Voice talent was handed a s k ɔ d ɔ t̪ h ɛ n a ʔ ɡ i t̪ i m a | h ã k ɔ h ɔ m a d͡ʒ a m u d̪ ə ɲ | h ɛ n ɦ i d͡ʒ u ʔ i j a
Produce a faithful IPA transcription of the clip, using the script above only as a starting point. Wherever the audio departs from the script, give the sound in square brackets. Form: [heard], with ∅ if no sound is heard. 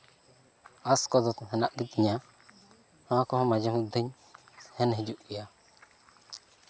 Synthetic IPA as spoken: a s k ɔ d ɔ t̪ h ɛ n a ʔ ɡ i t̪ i [ɲ] a | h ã k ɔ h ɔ m a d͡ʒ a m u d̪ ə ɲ | h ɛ n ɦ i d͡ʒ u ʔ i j a

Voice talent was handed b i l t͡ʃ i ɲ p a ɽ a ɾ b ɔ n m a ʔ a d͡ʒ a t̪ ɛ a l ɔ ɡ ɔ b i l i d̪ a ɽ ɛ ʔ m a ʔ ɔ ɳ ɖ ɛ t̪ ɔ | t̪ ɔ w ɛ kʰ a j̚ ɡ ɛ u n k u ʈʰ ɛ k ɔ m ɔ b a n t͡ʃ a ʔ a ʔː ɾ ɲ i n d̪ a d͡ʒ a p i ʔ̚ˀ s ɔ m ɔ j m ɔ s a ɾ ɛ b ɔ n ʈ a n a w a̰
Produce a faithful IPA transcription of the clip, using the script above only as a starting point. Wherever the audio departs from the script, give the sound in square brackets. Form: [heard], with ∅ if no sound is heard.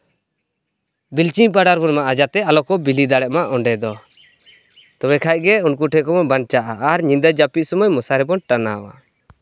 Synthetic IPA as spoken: b i l t͡ʃ i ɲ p a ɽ a ɾ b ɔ n m a ʔ a d͡ʒ a t̪ ɛ a l ɔ [k] ɔ b i l i d̪ a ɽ ɛ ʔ m a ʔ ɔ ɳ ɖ ɛ [d̪] ɔ | t̪ ɔ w ɛ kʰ a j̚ ɡ ɛ u n k u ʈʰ ɛ k ɔ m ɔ b a n t͡ʃ a ʔ a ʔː ɾ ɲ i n d̪ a d͡ʒ a p i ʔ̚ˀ s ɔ m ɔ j m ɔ s a ɾ ɛ b ɔ n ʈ a n a w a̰

